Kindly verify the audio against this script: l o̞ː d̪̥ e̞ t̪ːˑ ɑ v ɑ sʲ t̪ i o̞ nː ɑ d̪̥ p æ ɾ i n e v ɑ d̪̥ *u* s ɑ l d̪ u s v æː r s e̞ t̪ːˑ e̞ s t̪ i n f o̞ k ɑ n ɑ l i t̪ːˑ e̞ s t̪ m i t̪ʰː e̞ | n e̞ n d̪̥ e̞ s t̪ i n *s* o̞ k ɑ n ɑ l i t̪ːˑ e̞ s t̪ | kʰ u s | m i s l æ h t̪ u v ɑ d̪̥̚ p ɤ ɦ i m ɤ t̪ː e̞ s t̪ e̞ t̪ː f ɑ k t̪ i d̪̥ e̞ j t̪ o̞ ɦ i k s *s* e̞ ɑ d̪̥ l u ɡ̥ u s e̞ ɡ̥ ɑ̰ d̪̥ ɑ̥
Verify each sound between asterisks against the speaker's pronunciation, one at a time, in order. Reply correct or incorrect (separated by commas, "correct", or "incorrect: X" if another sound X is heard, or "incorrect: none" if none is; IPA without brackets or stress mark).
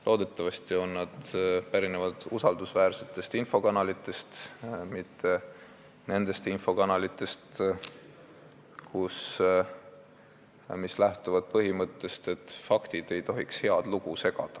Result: correct, incorrect: f, incorrect: h